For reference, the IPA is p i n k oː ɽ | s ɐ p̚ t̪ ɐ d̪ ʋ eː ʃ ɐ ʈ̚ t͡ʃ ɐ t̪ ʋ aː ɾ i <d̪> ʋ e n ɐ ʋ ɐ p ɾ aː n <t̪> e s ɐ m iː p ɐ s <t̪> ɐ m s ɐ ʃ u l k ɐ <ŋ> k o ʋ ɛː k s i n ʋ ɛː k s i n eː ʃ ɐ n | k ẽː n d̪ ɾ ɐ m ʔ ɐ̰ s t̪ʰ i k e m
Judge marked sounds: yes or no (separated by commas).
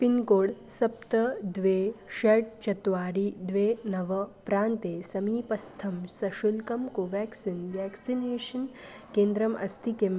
yes, yes, no, no